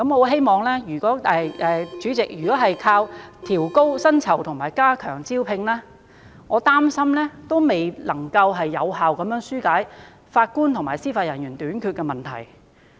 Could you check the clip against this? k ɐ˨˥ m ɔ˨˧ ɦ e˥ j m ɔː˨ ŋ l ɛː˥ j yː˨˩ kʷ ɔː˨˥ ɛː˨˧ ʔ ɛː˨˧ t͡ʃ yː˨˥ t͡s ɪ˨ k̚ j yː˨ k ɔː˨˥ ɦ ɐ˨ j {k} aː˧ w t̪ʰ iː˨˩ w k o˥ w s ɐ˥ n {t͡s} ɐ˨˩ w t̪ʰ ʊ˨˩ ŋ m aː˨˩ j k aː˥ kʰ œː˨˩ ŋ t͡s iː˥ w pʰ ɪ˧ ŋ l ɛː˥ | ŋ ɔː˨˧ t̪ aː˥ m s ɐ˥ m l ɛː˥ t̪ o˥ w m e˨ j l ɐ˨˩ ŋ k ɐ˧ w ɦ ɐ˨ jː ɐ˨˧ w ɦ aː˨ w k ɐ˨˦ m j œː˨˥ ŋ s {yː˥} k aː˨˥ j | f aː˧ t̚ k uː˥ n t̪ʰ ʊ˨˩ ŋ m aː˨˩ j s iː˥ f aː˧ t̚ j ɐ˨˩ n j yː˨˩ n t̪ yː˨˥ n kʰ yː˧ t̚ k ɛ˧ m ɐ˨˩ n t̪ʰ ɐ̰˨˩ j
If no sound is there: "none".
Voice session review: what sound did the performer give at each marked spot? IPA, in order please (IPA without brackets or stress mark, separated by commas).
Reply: kʰ, t͡sʰ, yː˥